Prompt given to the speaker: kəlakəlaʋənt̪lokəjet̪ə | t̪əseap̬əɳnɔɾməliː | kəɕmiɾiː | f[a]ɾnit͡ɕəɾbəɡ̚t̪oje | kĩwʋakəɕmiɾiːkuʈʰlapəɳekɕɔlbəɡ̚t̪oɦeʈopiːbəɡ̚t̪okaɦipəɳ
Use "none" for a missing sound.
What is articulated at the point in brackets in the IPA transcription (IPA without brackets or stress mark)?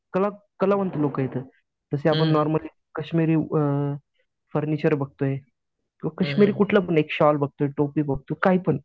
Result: ə